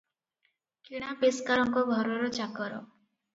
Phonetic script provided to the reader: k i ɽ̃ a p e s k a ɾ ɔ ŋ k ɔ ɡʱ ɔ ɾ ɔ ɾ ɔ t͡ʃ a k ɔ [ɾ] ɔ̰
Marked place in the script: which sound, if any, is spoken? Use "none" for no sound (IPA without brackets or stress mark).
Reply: ɾ